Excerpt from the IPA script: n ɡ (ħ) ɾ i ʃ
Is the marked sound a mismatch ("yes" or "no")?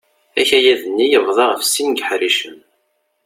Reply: no